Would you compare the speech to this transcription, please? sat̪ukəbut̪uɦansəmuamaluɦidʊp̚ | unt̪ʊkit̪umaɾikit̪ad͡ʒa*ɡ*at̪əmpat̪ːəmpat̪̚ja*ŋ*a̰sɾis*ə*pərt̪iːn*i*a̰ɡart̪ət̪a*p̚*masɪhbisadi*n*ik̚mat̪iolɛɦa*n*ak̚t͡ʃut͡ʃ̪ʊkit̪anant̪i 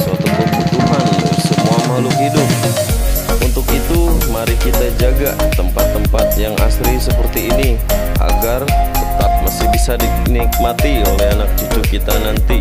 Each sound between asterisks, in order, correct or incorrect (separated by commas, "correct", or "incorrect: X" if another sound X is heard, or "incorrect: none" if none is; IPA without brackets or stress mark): correct, correct, correct, correct, correct, correct, correct